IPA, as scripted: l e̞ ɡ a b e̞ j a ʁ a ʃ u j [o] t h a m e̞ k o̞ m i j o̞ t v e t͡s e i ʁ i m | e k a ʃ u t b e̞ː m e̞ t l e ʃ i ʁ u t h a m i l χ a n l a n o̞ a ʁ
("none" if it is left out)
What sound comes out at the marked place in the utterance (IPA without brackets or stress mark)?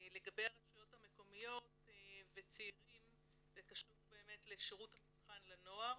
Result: o